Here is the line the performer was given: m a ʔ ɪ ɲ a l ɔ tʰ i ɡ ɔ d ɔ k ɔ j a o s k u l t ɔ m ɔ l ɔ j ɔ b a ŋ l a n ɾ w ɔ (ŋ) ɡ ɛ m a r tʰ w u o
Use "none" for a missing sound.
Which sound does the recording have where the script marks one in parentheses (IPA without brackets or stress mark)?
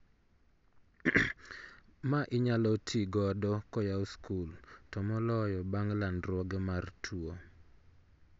none